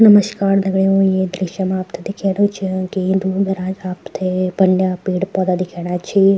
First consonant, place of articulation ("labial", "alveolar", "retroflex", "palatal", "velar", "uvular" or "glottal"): alveolar